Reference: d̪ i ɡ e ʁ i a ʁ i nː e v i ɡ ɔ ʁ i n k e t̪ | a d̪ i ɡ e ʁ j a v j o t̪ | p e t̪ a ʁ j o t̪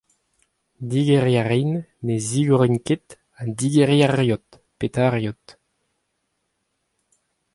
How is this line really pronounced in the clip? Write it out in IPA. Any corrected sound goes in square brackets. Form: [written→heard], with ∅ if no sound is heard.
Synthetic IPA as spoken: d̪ i ɡ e ʁ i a ʁ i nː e [v→z] i ɡ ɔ ʁ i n k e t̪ | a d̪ i ɡ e ʁ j a [v→ʁ] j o t̪ | p e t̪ a ʁ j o t̪